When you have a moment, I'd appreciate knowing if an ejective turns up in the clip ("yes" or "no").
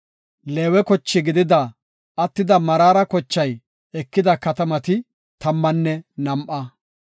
no